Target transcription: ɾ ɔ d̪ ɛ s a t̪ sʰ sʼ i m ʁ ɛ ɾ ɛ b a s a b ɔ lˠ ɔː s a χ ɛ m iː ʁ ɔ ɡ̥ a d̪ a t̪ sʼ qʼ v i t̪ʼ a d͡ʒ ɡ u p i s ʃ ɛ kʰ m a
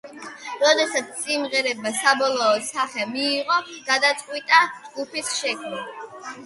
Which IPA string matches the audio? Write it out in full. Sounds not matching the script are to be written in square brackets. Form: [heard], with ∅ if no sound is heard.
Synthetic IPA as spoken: ɾ ɔ d̪ ɛ s a t̪ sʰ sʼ i m ʁ ɛ ɾ ɛ b a s a b ɔ lˠ ɔː s a χ ɛ m iː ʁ ɔ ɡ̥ a d̪ a t̪ sʼ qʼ [w] i t̪ʼ a d͡ʒ ɡ u p i s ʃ ɛ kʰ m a

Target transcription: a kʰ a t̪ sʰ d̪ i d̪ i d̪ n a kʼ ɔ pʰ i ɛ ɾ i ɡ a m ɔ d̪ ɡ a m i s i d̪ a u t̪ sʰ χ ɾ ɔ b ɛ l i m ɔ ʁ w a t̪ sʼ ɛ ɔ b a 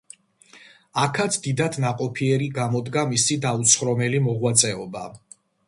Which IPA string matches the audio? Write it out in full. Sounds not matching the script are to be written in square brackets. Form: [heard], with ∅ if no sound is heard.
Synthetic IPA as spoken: a kʰ a t̪ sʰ d̪ i d̪ [a] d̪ n a [qʼ] ɔ pʰ i ɛ ɾ i ɡ a m ɔ d̪ ɡ a m i s i d̪ a u t̪ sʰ χ ɾ ɔ [m] ɛ l i m ɔ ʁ w a t̪ sʼ ɛ ɔ b a

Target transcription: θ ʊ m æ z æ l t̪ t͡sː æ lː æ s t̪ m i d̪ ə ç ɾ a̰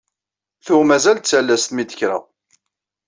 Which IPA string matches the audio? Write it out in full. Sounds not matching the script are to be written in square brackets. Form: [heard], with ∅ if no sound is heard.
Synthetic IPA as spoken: θ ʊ m æ z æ l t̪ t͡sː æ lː æ s t̪ m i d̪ ə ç ɾ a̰

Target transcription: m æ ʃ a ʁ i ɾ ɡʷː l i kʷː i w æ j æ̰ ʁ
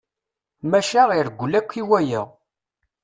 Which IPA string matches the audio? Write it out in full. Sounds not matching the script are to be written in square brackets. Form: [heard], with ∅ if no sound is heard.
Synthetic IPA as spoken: m æ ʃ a ʁ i ɾ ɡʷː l [æ] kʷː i w æ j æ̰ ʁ

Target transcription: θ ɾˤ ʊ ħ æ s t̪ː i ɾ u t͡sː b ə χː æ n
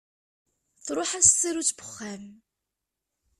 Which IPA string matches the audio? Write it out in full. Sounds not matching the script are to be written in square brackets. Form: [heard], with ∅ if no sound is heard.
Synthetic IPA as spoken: θ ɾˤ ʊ ħ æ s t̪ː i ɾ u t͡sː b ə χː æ [m]

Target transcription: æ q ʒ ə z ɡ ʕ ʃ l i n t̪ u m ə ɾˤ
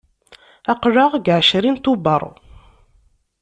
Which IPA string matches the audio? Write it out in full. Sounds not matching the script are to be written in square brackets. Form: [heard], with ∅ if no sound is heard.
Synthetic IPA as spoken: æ q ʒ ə [ʁ] ɡ ʕ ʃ [ɾ] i n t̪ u [b] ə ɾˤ

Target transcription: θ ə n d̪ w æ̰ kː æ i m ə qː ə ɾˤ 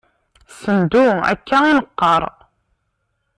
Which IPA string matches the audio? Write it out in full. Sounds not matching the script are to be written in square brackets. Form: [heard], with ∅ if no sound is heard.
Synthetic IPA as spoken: [s] ə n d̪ [u] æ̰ kː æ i [n] ə qː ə ɾˤ

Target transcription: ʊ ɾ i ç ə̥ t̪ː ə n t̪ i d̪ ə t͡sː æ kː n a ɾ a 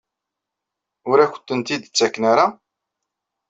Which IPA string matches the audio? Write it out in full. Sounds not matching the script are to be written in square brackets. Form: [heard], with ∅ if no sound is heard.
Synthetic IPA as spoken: ʊ ɾ [æ] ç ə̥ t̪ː ə n t̪ i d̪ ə t͡sː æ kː n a ɾ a

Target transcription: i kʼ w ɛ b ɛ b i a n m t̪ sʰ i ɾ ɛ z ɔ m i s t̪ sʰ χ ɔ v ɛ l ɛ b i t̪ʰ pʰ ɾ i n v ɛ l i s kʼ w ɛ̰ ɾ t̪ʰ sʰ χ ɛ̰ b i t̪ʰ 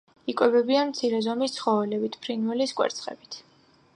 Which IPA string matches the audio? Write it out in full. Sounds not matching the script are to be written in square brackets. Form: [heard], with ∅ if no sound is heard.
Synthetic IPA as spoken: i kʼ w ɛ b ɛ b i a n m t̪ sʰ i ɾ ɛ z ɔ m i s t̪ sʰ χ ɔ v ɛ l ɛ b i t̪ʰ pʰ ɾ i n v ɛ l i s kʼ w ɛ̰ ɾ [t̪] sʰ χ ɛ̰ b i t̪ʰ

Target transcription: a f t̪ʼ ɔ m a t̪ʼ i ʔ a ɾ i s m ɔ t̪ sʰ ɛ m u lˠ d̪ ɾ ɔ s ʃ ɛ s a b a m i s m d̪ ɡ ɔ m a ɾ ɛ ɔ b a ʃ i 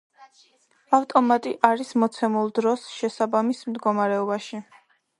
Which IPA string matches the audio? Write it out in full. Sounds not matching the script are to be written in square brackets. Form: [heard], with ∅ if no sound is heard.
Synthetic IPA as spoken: a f t̪ʼ ɔ m a t̪ʼ i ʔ a ɾ i s m ɔ t̪ sʰ ɛ m u lˠ d̪ ɾ ɔ s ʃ ɛ s a b a m i s m d̪ ɡ ɔ m a ɾ ɛ ɔ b a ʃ i

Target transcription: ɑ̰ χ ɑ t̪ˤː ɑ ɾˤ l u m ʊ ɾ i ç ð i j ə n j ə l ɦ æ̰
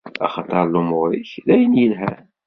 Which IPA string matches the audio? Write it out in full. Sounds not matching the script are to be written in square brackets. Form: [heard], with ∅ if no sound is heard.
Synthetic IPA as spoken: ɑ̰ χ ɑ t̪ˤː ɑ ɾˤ l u m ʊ ɾ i ç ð [æ] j ə n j ə l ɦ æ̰

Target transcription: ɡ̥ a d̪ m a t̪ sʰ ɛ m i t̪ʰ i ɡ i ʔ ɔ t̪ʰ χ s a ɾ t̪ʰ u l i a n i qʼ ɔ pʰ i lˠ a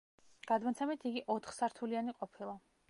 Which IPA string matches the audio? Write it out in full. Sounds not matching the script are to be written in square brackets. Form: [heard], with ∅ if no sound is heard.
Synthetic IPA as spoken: ɡ̥ a d̪ m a t̪ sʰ ɛ m i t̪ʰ i ɡ i ʔ ɔ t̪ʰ χ s a ɾ t̪ʰ u l i a n i qʼ ɔ pʰ i lˠ a

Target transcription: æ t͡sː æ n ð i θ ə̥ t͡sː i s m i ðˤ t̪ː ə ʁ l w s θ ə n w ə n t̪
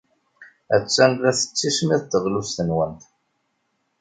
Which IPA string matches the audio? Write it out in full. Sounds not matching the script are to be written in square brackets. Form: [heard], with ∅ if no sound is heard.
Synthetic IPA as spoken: æ t͡sː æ n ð [æ] θ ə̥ t͡sː i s m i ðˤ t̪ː ə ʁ l [u] s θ ə n w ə n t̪

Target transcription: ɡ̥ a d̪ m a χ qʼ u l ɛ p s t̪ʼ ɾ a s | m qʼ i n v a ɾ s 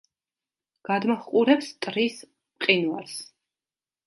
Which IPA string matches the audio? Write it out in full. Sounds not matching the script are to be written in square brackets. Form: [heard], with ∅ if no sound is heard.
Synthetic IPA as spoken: ɡ̥ a d̪ m a χ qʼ u [ɾ] ɛ p s t̪ʼ ɾ [i] s | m qʼ i n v a ɾ s

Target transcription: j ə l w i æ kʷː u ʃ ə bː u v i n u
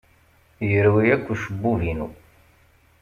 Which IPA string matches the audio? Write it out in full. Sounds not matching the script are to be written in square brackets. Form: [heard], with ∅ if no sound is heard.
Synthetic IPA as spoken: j ə [ɾ] w i æ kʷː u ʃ ə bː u v i n u

